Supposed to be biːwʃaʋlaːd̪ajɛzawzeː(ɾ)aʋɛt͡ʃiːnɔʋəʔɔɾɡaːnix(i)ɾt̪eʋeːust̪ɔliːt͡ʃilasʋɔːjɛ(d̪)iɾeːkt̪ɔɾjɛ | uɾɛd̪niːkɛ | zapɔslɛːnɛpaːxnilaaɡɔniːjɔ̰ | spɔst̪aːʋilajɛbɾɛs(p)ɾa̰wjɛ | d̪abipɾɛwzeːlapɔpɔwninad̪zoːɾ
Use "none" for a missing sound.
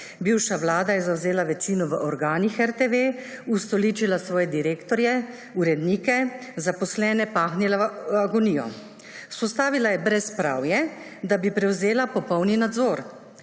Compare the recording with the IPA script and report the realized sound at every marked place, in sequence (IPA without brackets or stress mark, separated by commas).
l, ɛ, d̪, p